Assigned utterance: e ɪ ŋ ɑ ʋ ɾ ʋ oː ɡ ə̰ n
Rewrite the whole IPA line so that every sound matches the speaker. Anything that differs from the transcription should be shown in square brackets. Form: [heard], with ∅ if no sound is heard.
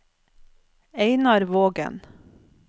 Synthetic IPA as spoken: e ɪ [n] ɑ [∅] ɾ ʋ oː ɡ ə̰ n